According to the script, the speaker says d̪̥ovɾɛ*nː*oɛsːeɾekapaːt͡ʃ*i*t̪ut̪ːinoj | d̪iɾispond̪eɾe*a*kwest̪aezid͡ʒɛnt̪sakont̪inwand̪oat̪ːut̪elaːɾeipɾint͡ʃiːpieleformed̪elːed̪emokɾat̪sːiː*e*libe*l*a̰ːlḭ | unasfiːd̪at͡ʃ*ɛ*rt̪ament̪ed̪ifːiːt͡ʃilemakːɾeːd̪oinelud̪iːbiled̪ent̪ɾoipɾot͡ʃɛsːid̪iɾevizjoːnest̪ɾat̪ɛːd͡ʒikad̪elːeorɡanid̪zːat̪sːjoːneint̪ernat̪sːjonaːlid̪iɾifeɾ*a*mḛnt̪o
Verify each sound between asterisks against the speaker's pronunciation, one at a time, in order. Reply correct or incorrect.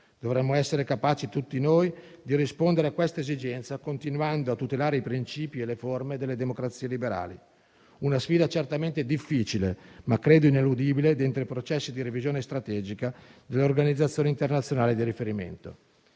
incorrect, correct, correct, correct, incorrect, incorrect, incorrect

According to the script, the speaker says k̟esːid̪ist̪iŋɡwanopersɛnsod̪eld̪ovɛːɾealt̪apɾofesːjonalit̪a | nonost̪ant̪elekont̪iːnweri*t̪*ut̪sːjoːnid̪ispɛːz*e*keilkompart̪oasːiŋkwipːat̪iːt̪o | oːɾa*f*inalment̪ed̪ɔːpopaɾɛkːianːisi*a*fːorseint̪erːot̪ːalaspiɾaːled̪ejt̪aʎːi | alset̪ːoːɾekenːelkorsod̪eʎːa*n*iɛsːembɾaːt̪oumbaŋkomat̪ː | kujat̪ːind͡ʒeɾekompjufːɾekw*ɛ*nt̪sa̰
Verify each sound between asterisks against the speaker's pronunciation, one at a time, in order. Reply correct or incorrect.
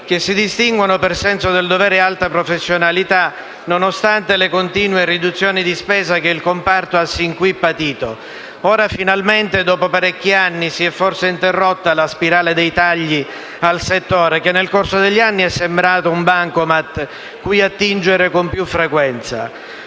incorrect, incorrect, correct, incorrect, incorrect, correct

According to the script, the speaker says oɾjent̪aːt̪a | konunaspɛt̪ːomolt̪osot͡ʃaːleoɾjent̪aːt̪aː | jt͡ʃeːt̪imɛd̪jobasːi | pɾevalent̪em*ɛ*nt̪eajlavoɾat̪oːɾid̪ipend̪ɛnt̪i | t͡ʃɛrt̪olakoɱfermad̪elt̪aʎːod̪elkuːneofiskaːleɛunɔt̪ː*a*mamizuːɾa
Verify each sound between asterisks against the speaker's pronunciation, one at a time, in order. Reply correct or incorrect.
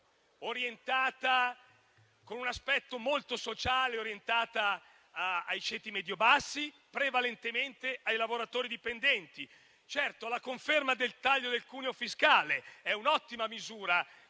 incorrect, incorrect

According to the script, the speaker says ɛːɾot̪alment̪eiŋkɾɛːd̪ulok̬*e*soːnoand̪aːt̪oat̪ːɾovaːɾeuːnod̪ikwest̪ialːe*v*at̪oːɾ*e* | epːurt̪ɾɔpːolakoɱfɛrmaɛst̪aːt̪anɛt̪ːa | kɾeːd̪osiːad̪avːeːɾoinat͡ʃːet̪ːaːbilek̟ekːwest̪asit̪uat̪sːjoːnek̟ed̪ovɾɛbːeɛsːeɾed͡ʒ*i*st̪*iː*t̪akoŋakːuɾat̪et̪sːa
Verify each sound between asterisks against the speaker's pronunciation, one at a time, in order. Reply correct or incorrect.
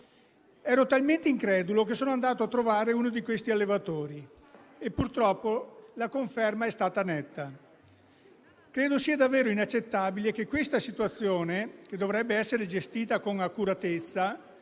correct, correct, incorrect, incorrect, correct

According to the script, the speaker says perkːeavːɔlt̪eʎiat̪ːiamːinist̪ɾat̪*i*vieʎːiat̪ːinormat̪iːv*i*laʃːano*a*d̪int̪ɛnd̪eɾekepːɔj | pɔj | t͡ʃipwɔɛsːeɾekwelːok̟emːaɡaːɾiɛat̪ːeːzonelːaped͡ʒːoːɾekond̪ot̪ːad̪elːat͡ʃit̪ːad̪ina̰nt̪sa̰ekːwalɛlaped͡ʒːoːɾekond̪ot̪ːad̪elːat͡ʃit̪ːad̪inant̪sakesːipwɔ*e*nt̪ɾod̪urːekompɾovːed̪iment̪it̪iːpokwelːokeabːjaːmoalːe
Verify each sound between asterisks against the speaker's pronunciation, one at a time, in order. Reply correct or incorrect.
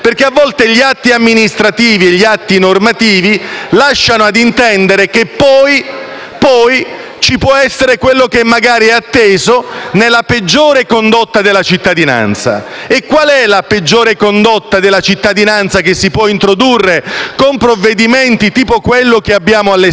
incorrect, correct, correct, incorrect

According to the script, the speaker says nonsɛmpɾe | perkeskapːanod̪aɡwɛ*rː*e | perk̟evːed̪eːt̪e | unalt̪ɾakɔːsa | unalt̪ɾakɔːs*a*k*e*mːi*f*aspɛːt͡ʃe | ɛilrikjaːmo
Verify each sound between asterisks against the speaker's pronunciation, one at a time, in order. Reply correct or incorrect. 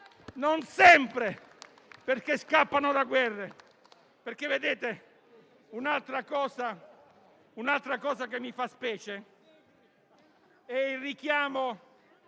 correct, correct, correct, correct

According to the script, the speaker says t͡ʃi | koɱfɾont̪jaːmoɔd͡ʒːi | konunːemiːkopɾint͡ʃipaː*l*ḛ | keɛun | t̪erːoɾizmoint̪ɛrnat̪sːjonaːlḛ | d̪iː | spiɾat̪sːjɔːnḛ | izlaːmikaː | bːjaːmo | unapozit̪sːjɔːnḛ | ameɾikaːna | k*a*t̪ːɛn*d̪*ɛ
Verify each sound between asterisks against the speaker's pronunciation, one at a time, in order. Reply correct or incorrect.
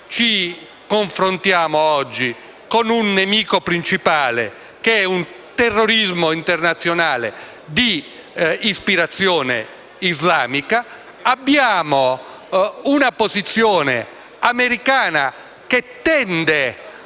correct, incorrect, correct

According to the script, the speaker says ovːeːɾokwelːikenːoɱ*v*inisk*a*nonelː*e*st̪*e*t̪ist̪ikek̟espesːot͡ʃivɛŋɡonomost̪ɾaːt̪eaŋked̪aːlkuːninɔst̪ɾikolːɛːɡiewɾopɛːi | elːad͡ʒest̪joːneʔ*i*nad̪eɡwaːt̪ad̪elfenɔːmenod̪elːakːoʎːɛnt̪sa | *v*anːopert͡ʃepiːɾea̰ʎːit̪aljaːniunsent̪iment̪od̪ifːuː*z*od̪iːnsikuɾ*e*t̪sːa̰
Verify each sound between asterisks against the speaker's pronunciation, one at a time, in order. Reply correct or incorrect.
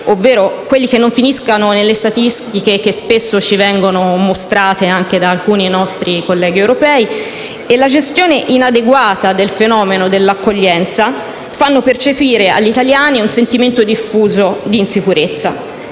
incorrect, correct, correct, incorrect, correct, incorrect, correct, correct

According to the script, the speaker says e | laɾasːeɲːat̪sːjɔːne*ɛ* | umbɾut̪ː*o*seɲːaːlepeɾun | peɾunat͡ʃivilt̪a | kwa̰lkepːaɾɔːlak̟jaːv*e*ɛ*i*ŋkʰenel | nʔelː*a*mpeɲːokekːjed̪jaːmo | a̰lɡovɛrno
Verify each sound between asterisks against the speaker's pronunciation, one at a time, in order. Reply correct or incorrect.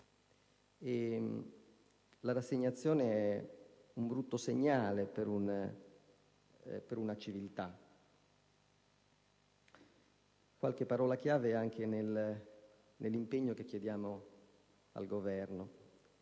correct, correct, correct, incorrect, incorrect

